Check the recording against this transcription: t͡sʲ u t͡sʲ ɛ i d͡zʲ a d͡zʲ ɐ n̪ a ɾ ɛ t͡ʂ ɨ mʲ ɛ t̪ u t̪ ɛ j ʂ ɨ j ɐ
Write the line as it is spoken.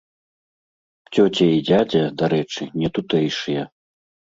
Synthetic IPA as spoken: t͡sʲ ɔ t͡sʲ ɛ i d͡zʲ a d͡zʲ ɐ d̪ a ɾ ɛ t͡ʂ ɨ nʲ ɛ t̪ u t̪ ɛ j ʂ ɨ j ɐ